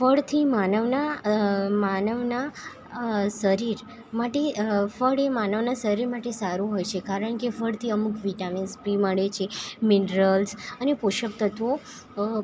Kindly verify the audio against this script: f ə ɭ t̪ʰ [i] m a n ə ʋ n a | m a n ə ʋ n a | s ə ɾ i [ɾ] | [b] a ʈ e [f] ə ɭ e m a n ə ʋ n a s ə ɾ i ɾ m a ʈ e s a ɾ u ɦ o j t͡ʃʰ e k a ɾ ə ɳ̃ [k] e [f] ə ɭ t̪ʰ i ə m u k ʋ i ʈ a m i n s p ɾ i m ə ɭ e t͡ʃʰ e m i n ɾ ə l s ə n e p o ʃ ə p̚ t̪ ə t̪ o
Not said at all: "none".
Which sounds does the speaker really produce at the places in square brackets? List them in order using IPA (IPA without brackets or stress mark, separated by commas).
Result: i, ɾ, m, f, k, f